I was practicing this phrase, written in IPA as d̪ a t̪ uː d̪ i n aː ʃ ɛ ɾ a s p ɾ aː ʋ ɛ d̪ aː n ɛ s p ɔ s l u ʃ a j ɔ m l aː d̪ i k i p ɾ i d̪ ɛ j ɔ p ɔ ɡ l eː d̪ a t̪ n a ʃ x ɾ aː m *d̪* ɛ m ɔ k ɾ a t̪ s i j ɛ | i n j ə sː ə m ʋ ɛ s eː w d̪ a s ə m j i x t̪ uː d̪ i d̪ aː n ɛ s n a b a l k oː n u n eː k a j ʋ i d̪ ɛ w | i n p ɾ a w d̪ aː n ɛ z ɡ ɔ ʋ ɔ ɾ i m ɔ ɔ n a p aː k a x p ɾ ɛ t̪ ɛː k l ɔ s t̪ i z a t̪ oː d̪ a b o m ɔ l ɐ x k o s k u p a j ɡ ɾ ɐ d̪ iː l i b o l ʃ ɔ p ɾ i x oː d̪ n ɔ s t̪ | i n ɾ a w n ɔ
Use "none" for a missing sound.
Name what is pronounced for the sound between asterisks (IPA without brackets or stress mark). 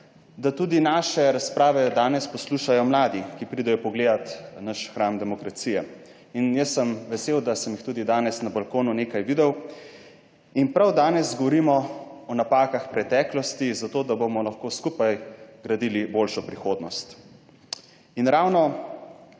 d̪